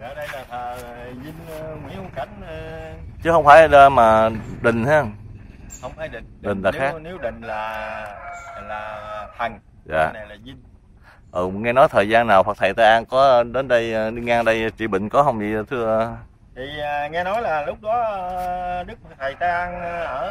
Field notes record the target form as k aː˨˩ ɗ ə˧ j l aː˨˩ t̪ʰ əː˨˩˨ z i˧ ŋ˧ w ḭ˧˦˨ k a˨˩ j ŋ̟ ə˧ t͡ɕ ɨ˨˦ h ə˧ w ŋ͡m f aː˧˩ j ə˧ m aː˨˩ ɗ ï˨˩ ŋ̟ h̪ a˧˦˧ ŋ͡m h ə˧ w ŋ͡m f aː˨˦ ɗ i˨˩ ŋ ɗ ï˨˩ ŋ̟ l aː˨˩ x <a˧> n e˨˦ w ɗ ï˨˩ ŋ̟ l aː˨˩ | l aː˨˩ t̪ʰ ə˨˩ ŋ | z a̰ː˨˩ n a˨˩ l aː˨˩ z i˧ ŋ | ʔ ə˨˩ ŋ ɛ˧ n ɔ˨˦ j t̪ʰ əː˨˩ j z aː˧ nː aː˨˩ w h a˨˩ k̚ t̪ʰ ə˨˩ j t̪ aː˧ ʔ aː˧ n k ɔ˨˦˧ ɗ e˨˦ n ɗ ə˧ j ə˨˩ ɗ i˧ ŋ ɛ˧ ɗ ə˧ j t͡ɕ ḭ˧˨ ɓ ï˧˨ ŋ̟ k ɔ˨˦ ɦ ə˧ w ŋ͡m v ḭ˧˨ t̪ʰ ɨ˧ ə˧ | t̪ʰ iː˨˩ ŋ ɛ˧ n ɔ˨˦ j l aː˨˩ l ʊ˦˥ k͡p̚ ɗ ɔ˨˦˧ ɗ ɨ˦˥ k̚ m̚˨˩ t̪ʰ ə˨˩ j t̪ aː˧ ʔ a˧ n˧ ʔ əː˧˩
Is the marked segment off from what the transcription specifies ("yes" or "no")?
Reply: yes